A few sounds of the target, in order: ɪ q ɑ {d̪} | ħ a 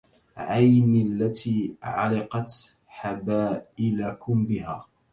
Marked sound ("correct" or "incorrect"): incorrect